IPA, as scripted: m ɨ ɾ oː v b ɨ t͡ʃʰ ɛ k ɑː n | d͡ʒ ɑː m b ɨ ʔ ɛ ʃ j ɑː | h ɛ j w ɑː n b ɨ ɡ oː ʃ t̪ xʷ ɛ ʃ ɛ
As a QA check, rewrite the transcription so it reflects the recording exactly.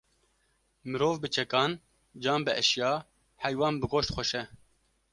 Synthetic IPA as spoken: m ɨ ɾ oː v b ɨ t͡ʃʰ ɛ k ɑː n | d͡ʒ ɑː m b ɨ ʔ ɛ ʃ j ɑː | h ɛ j w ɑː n b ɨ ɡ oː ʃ t̪ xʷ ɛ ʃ ɛ